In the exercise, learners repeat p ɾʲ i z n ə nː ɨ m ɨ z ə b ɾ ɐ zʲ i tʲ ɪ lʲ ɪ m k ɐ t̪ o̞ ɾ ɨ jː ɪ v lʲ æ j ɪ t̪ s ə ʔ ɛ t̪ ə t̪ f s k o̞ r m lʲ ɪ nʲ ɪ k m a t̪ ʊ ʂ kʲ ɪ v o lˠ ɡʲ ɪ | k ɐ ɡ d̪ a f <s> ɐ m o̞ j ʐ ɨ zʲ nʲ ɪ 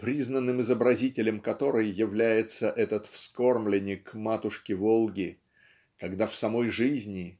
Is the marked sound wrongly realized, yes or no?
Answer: no